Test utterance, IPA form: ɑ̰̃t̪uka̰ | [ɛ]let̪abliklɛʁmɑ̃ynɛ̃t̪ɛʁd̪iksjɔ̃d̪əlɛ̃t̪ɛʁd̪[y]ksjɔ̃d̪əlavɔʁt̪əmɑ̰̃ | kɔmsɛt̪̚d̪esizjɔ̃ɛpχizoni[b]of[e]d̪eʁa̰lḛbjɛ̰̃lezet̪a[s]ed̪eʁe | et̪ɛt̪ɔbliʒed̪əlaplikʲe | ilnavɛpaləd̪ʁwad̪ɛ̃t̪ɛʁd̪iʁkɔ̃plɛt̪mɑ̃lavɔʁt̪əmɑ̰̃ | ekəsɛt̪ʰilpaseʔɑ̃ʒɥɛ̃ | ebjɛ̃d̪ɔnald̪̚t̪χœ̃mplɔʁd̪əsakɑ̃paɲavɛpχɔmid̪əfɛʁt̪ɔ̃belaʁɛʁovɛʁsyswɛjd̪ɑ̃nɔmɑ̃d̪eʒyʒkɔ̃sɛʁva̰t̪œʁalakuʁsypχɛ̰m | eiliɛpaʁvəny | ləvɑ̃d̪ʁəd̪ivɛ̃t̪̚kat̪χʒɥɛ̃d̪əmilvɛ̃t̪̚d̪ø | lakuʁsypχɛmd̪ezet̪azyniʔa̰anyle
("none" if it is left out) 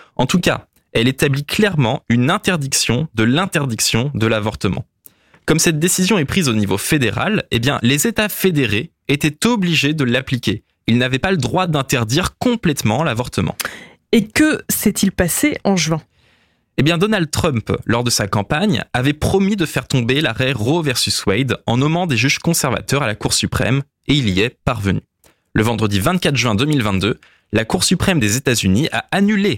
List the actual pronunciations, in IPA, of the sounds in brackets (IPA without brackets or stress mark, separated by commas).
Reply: ɛ, i, v, e, f